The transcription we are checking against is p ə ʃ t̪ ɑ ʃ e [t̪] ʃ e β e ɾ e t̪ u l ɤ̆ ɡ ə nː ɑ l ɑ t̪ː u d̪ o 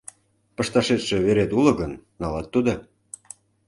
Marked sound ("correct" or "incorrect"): correct